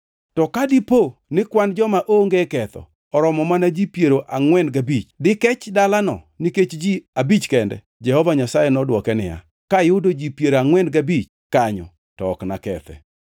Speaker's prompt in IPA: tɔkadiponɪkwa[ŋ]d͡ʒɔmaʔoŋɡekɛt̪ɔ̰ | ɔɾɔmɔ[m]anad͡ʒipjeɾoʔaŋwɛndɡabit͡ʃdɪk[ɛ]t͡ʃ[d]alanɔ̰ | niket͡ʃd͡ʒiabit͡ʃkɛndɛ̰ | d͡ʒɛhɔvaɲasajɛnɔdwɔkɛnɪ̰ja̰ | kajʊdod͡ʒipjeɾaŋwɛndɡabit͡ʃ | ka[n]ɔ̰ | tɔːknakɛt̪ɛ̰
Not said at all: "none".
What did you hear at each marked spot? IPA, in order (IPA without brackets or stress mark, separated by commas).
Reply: n, m, ɛ, d, ɲ